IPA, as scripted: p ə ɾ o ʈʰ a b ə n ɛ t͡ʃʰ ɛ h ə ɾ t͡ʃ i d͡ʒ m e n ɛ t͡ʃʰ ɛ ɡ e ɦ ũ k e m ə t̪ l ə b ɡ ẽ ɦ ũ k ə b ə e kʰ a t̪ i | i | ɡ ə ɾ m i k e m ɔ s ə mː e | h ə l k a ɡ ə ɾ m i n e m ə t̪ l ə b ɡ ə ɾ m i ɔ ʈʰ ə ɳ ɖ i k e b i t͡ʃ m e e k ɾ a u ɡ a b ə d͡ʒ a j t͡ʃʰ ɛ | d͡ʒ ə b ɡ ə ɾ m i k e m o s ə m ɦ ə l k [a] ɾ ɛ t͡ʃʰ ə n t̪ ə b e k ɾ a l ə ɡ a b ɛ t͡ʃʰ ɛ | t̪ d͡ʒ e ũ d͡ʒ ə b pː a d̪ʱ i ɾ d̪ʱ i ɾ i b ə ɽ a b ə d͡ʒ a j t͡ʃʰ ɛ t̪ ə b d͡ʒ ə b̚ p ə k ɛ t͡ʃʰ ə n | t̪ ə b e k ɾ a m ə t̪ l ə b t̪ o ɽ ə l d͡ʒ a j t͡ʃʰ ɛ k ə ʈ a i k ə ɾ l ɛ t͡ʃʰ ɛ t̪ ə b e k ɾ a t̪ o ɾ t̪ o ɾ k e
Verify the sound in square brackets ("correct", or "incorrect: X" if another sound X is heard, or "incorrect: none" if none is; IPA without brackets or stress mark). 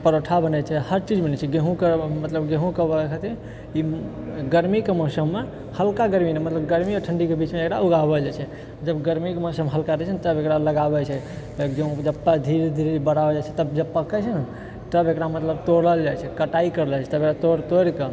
correct